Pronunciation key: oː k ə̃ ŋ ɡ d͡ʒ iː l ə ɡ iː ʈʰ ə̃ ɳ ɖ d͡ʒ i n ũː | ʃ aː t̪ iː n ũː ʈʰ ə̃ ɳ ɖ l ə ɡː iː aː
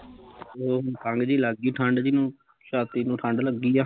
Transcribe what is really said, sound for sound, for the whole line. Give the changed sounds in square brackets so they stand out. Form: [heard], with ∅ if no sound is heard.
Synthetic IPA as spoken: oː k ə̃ ŋ ɡ d͡ʒ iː l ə ɡ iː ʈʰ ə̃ ɳ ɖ d͡ʒ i n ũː | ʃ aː t̪ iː n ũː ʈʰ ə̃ ɳ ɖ l ə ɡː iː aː